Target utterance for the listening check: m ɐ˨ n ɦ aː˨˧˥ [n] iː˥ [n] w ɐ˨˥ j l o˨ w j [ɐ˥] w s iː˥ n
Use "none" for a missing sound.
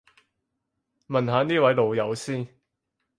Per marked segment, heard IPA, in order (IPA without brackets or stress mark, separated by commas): n, none, ɐ˨˧